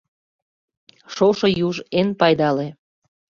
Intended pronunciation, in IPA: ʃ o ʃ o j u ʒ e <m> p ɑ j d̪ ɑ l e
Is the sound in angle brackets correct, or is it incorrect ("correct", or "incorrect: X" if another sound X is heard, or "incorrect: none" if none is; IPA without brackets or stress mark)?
incorrect: n